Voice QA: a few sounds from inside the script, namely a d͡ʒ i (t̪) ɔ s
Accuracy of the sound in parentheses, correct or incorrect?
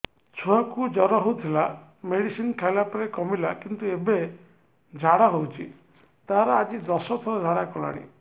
incorrect